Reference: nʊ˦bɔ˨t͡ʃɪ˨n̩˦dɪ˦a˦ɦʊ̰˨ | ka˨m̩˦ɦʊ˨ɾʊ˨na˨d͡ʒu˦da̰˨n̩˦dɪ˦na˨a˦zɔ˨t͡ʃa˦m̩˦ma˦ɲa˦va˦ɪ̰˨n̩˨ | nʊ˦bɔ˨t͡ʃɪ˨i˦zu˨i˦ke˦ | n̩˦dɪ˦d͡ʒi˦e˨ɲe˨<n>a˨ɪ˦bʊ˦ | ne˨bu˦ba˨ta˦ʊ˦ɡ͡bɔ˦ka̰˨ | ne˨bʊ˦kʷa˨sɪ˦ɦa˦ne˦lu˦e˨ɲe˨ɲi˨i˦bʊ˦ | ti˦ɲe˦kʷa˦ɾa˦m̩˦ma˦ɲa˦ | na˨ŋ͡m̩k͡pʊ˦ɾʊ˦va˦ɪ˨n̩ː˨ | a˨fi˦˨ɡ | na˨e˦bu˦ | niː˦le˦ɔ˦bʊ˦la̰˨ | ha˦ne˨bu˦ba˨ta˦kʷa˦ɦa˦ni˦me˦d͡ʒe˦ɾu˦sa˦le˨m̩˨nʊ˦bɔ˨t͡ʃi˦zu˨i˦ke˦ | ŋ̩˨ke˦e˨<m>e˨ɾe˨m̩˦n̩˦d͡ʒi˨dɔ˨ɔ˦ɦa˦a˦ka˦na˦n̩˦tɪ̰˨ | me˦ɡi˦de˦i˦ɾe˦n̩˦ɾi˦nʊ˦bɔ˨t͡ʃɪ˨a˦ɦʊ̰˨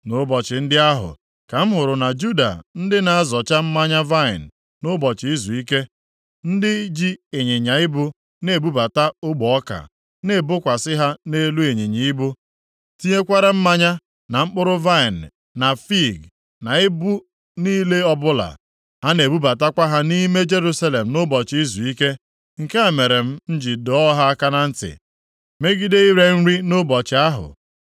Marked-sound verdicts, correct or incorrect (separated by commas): incorrect, correct